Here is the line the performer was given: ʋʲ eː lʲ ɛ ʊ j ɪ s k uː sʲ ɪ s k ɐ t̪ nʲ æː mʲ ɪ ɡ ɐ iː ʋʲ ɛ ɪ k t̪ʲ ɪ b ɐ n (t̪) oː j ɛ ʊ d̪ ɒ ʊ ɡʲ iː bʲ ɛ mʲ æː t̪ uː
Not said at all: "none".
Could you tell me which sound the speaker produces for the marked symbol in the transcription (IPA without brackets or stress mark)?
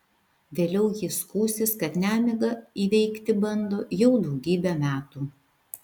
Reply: d̪